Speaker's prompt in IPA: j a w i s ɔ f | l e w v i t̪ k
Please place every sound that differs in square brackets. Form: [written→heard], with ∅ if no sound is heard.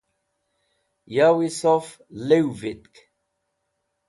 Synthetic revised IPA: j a w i s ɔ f | l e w v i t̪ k